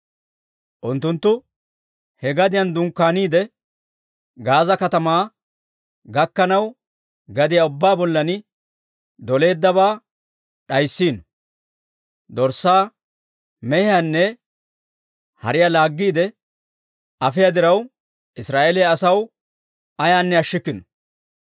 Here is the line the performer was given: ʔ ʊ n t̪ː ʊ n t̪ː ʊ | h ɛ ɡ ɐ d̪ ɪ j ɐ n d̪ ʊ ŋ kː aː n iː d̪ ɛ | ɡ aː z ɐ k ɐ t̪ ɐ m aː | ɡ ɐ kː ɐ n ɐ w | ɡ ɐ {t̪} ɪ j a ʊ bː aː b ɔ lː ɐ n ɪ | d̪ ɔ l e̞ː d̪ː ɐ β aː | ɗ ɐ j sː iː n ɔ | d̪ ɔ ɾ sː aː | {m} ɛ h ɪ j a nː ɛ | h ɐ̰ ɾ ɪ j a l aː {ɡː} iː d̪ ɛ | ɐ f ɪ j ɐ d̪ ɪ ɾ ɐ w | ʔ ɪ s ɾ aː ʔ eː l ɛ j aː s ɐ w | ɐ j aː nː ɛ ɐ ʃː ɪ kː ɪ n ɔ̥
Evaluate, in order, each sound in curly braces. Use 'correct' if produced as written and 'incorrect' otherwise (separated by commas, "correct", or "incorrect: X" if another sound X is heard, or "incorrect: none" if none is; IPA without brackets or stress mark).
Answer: incorrect: d̪, correct, correct